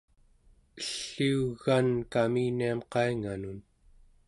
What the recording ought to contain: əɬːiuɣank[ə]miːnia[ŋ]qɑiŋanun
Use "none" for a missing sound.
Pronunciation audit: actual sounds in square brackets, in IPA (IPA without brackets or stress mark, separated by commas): a, m